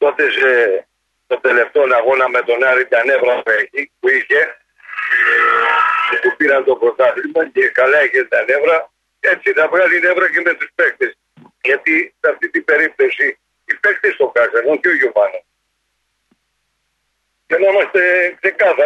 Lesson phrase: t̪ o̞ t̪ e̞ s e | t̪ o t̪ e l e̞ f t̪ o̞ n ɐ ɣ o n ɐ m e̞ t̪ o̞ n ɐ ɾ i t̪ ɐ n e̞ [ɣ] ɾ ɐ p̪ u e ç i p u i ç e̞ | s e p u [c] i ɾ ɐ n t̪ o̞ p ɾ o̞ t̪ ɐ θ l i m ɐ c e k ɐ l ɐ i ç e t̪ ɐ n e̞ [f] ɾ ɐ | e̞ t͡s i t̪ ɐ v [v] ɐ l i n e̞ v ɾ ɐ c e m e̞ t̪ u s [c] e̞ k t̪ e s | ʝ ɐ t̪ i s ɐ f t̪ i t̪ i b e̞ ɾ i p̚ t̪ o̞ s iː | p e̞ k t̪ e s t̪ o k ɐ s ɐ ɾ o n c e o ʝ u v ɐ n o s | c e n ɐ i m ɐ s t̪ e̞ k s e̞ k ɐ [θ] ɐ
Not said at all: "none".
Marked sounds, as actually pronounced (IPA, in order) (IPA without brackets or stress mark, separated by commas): v, p, v, ɣ, p, θ